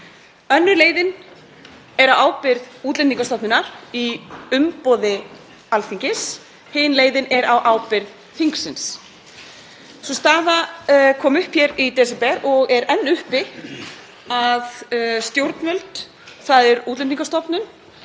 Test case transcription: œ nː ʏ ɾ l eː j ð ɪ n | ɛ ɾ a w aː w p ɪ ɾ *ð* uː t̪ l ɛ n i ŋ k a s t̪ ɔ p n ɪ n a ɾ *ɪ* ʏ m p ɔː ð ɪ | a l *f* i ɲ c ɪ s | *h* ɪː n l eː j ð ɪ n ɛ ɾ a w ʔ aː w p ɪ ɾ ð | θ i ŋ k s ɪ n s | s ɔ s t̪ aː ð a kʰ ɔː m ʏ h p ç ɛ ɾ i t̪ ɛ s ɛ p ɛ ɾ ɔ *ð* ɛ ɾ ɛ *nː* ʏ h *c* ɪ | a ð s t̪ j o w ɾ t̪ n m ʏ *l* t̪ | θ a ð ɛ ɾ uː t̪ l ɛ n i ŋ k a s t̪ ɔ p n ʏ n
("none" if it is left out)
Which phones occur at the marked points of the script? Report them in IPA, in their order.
ð, i, θ, h, ɣ, nː, p, l

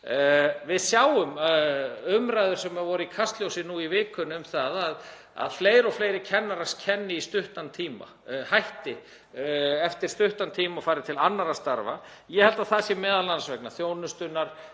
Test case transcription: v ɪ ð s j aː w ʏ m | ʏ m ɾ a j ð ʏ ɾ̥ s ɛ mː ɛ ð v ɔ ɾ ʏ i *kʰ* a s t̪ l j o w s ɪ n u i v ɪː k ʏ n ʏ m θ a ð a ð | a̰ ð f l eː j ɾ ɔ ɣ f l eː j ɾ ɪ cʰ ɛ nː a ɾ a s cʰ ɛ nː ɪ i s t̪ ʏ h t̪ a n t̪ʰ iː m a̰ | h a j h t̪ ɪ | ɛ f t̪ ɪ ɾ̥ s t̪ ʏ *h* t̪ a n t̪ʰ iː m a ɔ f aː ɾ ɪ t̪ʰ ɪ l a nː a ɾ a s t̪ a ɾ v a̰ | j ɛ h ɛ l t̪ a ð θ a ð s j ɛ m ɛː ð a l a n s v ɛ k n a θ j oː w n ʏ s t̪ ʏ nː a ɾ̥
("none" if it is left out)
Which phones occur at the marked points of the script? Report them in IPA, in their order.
kʰ, h

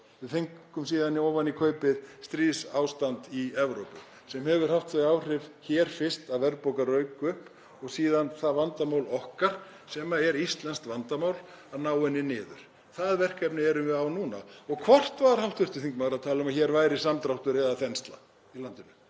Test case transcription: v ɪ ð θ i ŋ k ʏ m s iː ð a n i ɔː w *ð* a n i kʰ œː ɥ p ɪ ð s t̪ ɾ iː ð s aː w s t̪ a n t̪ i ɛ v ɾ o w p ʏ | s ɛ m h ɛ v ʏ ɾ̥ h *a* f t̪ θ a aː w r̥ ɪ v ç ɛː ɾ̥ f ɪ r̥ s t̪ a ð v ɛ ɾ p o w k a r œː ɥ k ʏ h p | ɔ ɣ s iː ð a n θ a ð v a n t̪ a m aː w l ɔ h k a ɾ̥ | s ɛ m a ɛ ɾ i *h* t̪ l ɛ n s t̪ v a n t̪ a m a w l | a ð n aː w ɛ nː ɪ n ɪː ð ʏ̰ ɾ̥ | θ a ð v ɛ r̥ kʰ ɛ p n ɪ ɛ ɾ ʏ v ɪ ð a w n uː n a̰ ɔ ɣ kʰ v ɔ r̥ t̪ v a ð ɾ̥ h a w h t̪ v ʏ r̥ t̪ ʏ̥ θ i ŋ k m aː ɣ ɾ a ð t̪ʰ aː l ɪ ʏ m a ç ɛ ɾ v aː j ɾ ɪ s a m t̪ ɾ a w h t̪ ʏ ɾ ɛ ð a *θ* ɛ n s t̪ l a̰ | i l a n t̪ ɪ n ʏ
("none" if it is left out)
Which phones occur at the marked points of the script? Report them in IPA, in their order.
v, a, s, θ

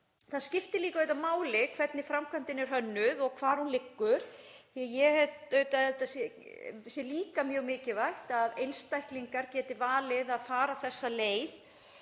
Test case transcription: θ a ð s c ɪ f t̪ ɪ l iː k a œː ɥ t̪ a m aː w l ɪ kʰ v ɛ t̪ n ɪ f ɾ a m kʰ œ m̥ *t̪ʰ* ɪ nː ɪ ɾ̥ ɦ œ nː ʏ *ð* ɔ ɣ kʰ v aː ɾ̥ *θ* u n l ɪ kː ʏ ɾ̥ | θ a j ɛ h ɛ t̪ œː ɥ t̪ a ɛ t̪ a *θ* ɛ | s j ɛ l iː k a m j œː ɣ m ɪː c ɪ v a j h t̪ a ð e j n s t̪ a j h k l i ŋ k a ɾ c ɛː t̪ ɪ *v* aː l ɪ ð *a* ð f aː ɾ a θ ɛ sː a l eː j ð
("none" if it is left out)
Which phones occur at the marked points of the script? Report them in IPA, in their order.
t̪, ð, h, s, v, a

